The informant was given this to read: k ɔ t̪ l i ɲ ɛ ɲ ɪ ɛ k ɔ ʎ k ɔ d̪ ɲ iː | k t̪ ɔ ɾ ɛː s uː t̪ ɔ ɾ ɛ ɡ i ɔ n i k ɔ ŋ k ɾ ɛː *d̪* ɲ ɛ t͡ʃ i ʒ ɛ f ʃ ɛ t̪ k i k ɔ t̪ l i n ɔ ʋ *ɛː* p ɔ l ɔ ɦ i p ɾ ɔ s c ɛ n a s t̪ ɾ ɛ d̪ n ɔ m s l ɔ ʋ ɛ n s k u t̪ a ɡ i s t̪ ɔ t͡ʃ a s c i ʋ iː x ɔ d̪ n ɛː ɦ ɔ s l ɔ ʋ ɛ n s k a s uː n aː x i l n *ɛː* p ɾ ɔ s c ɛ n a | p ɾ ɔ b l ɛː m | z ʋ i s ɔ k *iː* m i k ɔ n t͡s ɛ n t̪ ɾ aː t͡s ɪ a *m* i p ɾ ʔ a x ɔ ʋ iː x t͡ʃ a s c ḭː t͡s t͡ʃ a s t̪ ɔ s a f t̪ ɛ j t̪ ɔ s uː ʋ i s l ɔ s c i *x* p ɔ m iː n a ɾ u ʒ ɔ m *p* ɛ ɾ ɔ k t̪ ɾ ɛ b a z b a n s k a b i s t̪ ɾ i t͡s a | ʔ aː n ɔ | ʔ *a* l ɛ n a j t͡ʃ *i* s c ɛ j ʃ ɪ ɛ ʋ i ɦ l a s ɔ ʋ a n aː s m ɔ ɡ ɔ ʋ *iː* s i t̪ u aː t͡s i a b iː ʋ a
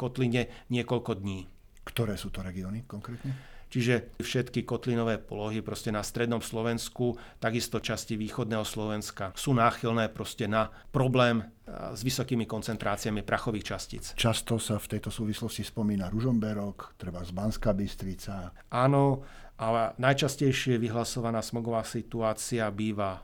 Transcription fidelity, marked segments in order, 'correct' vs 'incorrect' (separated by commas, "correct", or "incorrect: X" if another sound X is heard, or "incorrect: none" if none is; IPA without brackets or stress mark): incorrect: t̪, correct, correct, correct, correct, incorrect: s, incorrect: b, correct, incorrect: a, incorrect: aː